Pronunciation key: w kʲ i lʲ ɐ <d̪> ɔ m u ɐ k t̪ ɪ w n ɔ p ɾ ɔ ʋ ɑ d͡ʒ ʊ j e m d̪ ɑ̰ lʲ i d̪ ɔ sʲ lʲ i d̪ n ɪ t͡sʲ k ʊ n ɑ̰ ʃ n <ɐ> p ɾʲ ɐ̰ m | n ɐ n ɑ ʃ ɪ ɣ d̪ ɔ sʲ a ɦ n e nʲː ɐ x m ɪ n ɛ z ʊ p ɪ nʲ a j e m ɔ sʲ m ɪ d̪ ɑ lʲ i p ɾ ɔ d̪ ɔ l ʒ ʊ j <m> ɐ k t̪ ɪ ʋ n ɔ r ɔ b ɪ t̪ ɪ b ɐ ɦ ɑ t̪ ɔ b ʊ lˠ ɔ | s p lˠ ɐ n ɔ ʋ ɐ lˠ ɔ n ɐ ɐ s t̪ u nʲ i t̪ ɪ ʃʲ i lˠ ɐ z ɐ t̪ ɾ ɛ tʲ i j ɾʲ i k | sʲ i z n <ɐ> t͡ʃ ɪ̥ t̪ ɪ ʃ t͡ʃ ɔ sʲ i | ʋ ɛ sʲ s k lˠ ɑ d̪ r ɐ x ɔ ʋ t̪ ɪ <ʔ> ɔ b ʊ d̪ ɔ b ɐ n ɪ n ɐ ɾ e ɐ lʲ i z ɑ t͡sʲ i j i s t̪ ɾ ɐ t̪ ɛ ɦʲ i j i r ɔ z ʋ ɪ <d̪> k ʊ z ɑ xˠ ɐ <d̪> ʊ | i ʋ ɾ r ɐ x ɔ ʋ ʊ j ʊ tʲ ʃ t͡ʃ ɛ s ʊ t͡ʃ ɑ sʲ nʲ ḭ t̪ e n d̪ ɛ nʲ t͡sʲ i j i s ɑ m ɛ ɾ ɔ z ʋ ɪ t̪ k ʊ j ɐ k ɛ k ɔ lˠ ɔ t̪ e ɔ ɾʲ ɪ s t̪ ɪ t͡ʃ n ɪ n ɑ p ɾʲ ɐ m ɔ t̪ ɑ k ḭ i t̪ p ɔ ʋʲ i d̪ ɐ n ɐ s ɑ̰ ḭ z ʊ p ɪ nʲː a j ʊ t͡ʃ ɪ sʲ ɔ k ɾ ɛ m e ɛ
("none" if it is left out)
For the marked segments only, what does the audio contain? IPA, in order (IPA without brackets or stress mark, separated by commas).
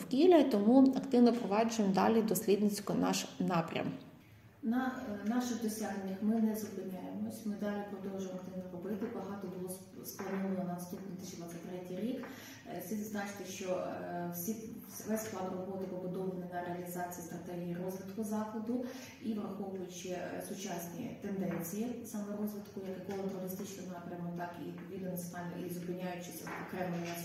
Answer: t̪, ɑ, m, ɑ, p, t̪, d̪